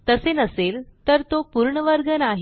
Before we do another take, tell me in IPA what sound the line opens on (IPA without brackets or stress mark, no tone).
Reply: t̪